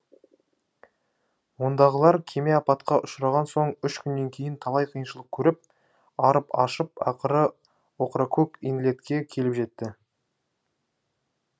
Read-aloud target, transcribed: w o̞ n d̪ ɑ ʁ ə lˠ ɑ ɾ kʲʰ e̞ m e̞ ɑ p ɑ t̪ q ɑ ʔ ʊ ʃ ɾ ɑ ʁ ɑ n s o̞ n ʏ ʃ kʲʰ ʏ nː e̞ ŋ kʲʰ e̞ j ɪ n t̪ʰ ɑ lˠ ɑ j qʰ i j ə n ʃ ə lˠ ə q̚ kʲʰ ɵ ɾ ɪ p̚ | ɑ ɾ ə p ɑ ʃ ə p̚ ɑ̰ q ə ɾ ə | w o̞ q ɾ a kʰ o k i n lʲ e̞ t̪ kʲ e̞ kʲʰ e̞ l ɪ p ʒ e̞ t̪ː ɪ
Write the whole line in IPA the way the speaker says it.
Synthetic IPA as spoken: w o̞ n d̪ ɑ ʁ ə lˠ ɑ ɾ kʲʰ e̞ m e̞ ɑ p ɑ t̪ q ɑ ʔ ʊ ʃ ɾ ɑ ʁ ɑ n s o̞ ɴ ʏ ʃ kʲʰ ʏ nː e̞ ŋ kʲʰ e̞ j ɪ n t̪ʰ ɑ lˠ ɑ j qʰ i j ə n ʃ ə lˠ ə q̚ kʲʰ ɵ ɾ ɪ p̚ | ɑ ɾ ə p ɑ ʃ ə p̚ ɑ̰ q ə ɾ ə | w o̞ q ɾ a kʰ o k i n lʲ e̞ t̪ kʲ e̞ kʲʰ e̞ l ɪ p ʒ e̞ t̪ː ɪ